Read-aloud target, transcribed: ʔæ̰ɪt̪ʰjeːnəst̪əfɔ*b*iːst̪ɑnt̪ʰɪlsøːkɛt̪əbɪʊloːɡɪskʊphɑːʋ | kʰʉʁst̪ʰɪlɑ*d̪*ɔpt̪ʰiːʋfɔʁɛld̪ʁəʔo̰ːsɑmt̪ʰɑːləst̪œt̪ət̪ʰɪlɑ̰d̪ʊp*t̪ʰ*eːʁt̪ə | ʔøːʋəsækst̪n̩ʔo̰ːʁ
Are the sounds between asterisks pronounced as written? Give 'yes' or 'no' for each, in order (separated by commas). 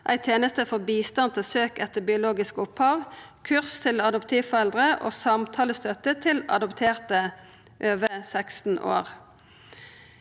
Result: yes, yes, yes